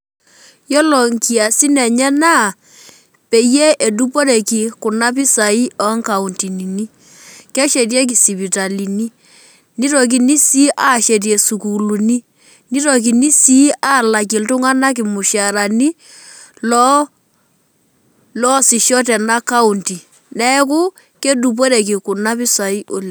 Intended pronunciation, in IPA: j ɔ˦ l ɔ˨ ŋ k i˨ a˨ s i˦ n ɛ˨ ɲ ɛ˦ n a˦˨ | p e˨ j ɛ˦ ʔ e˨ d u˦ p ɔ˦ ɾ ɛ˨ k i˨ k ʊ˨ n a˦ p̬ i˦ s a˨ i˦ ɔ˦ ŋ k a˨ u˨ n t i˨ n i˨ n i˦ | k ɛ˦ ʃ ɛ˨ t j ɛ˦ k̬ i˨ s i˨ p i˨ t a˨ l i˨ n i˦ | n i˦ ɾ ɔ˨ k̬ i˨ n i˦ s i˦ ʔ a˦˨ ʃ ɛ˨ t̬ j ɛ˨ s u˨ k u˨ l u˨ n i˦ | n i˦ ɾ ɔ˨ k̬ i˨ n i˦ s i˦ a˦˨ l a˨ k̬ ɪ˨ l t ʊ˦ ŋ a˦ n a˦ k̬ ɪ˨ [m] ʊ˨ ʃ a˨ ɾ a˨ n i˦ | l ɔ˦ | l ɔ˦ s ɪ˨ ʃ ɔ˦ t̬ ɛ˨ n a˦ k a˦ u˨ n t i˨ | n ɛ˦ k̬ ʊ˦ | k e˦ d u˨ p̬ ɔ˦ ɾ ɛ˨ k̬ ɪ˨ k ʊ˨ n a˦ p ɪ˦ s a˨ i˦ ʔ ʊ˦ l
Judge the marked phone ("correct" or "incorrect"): correct